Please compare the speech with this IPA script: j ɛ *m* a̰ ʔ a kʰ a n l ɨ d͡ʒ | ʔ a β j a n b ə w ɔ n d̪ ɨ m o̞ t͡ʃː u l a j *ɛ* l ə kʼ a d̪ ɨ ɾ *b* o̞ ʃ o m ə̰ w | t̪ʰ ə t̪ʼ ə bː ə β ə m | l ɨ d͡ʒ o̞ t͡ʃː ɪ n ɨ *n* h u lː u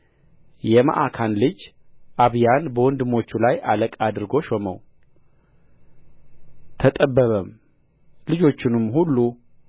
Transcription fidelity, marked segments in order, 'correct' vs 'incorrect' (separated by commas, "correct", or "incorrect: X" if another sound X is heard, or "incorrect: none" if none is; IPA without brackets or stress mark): correct, incorrect: a, incorrect: ɡ, incorrect: m